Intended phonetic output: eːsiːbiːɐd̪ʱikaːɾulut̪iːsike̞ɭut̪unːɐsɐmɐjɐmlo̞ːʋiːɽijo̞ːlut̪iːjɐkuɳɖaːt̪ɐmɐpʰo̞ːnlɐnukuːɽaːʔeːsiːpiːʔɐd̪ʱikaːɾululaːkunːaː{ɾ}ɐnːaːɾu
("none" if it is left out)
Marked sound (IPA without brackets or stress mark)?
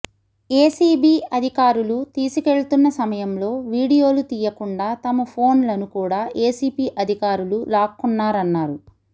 ɾ